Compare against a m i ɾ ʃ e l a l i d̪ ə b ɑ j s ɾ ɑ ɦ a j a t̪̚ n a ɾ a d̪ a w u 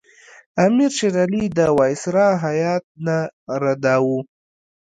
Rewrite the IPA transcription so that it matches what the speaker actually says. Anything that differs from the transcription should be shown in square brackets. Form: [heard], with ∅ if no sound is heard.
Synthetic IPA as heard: a m i ɾ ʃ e [ɾ] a l i d̪ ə [w] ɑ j s ɾ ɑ ɦ a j [ɑ] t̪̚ n a ɾ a d̪ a w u